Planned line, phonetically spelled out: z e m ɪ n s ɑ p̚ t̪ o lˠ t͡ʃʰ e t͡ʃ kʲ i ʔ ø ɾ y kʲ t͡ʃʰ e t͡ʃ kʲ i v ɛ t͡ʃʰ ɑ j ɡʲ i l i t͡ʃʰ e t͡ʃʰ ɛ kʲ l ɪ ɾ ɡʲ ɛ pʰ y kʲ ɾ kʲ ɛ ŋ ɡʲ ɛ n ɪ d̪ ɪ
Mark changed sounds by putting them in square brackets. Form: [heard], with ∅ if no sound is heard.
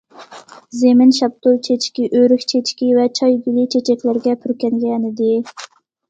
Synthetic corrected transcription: z e m ɪ n [ʃ] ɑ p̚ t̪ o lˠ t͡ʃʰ e t͡ʃ kʲ i ʔ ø ɾ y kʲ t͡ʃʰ e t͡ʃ kʲ i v ɛ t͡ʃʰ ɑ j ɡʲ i l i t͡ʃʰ e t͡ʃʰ ɛ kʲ l ɪ ɾ ɡʲ ɛ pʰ y [∅] ɾ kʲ ɛ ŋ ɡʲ ɛ n ɪ d̪ ɪ